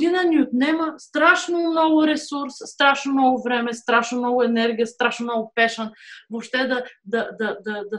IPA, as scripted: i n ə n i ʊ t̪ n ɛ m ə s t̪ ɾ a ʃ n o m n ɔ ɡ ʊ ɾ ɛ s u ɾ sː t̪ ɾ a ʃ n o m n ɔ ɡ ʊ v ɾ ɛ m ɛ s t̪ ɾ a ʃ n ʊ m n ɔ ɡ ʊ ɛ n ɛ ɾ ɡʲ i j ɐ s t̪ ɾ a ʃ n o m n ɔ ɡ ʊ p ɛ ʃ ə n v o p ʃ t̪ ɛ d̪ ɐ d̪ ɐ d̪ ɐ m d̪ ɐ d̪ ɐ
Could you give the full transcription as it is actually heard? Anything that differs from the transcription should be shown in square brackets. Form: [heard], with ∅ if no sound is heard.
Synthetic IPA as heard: i n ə n i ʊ t̪ n ɛ m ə s t̪ ɾ a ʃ n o m n ɔ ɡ ʊ ɾ ɛ s u ɾ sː t̪ ɾ a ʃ n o m n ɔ ɡ ʊ v ɾ ɛ m ɛ s t̪ ɾ a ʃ n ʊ m n ɔ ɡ ʊ ɛ n ɛ ɾ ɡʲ i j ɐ s t̪ ɾ a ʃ n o m n ɔ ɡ ʊ p ɛ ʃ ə n v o p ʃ t̪ ɛ d̪ ɐ d̪ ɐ d̪ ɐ [∅] d̪ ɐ d̪ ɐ